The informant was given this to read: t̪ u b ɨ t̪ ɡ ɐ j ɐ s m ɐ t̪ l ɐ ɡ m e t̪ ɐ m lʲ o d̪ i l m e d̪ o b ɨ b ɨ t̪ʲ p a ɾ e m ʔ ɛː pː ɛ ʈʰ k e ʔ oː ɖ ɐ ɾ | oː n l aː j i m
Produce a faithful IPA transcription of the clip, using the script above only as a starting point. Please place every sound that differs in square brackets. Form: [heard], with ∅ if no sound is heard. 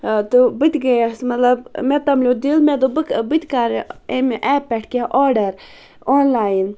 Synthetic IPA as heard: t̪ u b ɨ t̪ ɡ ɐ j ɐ s m ɐ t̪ l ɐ [b] m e t̪ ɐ m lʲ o d̪ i l m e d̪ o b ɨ b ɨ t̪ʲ [k] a ɾ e m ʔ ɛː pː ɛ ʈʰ k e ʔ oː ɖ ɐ ɾ | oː n l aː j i [n]